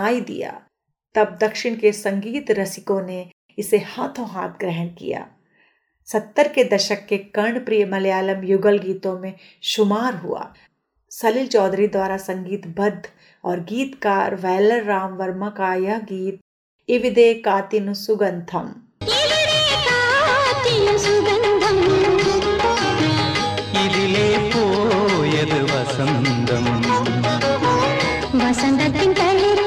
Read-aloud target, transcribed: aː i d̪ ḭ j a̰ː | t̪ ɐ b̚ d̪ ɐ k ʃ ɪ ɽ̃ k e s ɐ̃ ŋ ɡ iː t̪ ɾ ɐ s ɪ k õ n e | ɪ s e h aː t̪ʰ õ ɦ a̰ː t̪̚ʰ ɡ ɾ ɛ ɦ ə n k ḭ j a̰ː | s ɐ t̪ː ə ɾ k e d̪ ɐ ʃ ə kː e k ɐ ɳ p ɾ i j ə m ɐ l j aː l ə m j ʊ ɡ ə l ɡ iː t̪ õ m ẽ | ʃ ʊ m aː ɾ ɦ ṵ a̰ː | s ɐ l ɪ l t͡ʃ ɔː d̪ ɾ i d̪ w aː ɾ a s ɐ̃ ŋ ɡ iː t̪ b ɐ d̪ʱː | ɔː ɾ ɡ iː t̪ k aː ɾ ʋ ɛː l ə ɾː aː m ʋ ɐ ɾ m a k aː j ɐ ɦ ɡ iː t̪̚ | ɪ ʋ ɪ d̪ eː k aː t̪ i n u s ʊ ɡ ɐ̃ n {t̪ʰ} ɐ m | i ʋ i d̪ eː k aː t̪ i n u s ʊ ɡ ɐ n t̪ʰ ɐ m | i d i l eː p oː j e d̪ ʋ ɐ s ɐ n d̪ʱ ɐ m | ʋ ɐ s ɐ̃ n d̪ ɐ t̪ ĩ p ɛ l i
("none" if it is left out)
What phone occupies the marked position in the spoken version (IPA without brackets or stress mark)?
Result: t̪ʰ